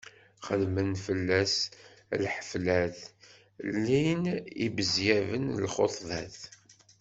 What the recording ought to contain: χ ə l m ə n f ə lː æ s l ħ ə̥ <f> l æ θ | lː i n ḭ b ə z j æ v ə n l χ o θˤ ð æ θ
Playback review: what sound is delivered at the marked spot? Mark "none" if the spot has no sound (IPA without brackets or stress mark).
f